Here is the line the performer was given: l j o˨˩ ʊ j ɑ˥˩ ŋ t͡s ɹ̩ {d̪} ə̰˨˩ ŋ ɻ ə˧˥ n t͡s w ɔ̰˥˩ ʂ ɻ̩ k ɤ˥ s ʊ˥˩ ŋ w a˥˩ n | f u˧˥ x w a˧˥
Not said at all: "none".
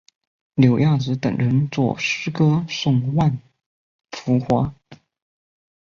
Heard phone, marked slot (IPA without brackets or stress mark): t̪